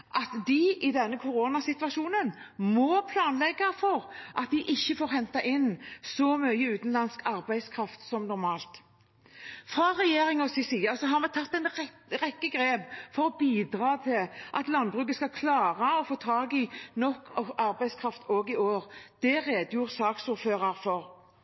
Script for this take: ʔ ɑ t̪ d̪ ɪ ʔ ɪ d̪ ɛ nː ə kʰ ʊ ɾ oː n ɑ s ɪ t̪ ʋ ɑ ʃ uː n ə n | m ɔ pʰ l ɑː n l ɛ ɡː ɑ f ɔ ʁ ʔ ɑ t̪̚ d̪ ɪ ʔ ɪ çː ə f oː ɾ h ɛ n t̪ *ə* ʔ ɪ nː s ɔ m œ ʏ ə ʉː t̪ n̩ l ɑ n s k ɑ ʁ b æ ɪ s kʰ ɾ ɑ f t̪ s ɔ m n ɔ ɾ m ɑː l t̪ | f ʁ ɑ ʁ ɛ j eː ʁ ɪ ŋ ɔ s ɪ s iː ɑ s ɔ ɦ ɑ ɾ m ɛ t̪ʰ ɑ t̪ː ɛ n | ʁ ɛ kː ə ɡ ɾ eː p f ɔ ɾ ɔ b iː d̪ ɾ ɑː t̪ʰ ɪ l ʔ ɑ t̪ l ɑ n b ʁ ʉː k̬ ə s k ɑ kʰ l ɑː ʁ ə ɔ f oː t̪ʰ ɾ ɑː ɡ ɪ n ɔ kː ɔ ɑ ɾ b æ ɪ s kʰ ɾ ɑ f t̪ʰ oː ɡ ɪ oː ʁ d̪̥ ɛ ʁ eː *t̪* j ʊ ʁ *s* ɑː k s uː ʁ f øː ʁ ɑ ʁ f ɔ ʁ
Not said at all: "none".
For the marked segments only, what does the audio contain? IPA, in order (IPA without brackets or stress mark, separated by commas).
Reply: ɑ, d̪, s